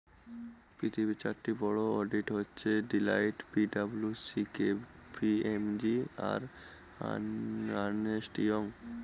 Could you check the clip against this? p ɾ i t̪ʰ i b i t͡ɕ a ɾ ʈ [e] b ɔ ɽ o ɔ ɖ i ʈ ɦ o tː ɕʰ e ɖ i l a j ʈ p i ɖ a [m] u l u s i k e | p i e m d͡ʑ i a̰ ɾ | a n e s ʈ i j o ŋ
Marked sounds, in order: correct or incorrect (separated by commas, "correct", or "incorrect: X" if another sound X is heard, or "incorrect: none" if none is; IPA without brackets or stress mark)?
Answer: incorrect: i, incorrect: b